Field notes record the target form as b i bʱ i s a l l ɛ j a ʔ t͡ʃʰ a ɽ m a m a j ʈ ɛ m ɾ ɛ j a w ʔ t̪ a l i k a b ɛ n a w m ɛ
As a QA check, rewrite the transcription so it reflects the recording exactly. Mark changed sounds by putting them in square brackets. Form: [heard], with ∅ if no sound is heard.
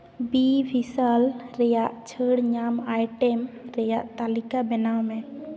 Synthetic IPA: b i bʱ i s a l [ɾ] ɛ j a ʔ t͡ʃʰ [ə] ɽ [ɲ] a m a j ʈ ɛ m ɾ ɛ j a [∅] ʔ t̪ a l i k a b ɛ n a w m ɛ

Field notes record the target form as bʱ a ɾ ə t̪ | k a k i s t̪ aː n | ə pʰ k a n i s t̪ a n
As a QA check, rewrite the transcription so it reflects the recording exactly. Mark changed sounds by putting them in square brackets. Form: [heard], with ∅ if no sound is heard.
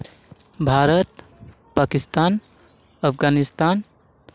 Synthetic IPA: bʱ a ɾ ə t̪ | [p] a k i s t̪ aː n | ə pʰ [ɡ] a n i s t̪ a n

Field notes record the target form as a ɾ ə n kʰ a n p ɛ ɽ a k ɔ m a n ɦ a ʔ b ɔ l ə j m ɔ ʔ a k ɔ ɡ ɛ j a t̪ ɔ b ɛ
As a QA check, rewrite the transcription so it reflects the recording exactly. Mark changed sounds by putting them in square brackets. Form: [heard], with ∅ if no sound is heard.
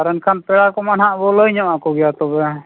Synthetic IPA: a ɾ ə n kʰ a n p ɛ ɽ a k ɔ m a n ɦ a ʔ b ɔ l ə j [ɲ] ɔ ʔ a k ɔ ɡ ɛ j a t̪ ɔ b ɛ

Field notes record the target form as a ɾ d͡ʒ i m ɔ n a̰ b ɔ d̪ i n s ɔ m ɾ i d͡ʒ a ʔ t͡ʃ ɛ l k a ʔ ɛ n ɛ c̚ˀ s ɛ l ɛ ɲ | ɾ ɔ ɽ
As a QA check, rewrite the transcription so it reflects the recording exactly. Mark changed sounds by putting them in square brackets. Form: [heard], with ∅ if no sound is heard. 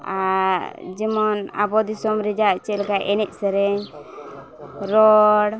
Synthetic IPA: a ɾ d͡ʒ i m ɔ n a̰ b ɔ d̪ i [∅] s ɔ m ɾ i d͡ʒ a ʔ t͡ʃ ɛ l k a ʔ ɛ n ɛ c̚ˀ s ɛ [ɾ] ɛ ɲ | ɾ ɔ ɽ

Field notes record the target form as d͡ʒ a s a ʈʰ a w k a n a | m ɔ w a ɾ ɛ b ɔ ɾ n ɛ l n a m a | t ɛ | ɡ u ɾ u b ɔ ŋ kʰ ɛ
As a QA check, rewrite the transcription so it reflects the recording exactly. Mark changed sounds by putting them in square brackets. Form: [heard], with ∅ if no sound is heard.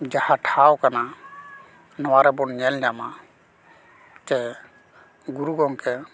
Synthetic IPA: d͡ʒ a [h] a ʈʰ a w k a n a | [n] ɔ w a ɾ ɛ b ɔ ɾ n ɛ l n a m a | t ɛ | ɡ u ɾ u [ɡ] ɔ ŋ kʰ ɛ

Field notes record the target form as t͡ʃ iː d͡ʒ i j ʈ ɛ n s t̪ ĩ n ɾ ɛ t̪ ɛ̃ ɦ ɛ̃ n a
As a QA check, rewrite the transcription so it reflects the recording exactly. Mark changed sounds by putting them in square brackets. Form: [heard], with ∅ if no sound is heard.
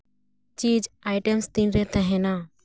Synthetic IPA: t͡ʃ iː d͡ʒ [a] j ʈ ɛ [m] s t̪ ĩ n ɾ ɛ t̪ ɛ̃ ɦ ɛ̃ n a

